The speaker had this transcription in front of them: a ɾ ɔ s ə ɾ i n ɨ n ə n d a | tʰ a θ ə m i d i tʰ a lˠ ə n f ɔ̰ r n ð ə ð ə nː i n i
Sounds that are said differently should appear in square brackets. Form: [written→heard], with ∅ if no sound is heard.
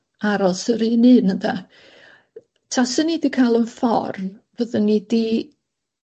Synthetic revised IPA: a ɾ ɔ s ə ɾ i n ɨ n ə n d a | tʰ a [θ→s] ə [m→n] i d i [tʰ→kʰ] a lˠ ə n f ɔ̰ r n [ð→v] ə ð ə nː i [n→d] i